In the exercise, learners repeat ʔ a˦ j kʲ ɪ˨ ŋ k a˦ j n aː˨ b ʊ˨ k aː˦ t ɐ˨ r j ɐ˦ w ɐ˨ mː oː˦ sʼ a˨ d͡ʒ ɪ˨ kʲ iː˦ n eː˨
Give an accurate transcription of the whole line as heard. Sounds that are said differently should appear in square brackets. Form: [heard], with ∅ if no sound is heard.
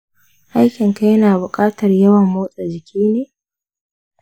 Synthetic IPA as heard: ʔ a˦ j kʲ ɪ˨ ŋ k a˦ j n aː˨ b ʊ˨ [kʼ] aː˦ t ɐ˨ r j ɐ˦ w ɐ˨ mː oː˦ sʼ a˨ d͡ʒ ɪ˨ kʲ iː˦ n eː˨